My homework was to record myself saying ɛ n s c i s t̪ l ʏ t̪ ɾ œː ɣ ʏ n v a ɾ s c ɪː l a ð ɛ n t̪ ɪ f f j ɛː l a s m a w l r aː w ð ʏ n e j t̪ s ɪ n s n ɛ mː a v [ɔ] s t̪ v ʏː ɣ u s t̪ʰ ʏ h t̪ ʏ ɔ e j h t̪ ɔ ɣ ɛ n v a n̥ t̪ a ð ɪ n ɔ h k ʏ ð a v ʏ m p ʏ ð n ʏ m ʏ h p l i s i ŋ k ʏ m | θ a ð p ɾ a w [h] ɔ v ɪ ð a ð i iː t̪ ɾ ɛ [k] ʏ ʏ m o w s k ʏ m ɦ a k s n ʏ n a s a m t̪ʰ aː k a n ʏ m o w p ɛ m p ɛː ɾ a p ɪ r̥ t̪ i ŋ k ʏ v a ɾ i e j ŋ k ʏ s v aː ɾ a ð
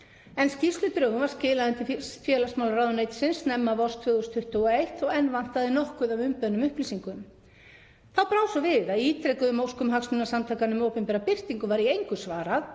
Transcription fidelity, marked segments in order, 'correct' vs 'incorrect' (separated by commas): correct, incorrect, correct